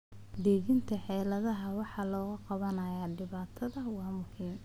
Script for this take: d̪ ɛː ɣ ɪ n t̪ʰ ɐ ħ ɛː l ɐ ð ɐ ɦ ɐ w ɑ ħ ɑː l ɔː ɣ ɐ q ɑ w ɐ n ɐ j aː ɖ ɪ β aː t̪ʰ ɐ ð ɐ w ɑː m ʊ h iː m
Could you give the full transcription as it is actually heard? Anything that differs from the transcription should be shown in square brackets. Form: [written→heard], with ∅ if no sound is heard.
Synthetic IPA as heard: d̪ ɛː ɣ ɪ n t̪ʰ ɐ ħ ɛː l ɐ ð ɐ ɦ ɐ w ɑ ħ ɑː l ɔː ɣ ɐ q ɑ [w→β] ɐ n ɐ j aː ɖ ɪ β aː t̪ʰ ɐ ð ɐ w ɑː m ʊ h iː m